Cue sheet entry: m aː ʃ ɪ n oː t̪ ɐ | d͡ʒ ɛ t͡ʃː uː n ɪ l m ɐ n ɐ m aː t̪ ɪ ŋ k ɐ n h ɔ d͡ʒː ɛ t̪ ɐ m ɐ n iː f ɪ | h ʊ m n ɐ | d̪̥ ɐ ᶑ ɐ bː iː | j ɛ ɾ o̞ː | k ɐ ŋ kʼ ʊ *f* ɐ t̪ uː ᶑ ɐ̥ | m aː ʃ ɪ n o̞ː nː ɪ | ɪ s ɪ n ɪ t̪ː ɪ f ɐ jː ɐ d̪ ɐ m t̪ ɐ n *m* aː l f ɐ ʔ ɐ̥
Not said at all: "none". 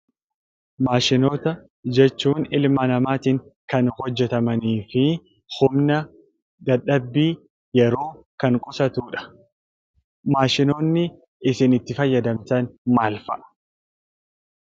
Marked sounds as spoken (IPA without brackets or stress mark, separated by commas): s, m